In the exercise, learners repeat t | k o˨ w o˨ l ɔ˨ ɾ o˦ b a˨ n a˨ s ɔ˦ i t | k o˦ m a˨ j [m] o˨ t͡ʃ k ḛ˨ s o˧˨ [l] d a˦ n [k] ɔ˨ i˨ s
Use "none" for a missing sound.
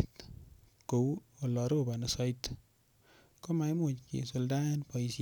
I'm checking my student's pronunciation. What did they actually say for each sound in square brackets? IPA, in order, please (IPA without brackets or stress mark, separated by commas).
m, l, p